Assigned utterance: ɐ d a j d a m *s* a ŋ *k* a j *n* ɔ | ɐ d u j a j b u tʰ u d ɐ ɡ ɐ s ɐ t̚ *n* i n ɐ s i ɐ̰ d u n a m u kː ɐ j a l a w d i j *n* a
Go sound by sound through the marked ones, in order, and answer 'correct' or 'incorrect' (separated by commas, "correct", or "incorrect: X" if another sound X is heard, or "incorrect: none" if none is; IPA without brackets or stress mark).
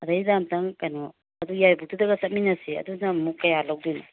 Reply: incorrect: t, correct, correct, incorrect: m, correct